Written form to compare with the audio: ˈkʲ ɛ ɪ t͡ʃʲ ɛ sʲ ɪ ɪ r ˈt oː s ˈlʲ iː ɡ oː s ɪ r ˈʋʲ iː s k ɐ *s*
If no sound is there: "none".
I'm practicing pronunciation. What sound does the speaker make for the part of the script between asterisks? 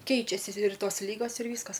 s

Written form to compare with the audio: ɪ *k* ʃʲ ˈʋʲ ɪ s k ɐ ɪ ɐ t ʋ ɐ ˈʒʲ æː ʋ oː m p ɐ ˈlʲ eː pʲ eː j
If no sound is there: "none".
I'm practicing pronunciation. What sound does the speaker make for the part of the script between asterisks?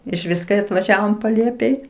none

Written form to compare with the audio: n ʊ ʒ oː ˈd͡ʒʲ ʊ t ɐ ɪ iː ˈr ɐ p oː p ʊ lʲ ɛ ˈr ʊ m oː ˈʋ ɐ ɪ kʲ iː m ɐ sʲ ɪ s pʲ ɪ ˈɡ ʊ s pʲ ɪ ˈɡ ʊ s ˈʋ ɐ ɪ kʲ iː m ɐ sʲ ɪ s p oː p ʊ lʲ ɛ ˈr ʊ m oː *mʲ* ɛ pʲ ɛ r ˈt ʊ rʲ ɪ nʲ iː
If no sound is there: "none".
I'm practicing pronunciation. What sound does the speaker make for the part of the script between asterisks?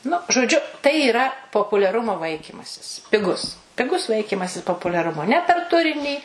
nʲ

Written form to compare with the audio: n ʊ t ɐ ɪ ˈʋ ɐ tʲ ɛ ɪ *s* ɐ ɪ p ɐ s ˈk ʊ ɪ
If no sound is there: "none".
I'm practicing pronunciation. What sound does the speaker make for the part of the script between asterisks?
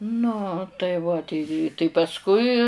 t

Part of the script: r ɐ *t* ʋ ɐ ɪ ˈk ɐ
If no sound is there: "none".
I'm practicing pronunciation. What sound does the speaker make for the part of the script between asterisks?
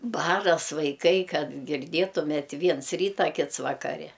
s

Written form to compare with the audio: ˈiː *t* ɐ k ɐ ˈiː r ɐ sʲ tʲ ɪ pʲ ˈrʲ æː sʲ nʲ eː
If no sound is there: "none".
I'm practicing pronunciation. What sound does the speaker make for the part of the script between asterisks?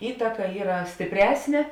t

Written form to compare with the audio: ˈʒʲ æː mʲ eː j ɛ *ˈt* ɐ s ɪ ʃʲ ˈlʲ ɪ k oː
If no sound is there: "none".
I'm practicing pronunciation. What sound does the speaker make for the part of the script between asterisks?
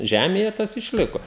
t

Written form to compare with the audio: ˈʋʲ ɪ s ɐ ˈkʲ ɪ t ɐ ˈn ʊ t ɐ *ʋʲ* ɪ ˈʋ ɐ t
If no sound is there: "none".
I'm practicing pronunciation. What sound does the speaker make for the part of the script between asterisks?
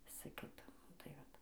none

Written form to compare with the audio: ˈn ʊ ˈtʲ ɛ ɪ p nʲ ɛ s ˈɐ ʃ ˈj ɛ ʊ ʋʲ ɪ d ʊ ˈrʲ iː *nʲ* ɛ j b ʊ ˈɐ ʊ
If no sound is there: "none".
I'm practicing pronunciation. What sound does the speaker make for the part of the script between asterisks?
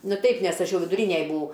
nʲ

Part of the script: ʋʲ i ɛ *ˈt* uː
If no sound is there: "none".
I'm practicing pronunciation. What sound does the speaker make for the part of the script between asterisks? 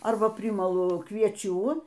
t͡ʃʲ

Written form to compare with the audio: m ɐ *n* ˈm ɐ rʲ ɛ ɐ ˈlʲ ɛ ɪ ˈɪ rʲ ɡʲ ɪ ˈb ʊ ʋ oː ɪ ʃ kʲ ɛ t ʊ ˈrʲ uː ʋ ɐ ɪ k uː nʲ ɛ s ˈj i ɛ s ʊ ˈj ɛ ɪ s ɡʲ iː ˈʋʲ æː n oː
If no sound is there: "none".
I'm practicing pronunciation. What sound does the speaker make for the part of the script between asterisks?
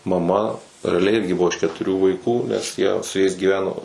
none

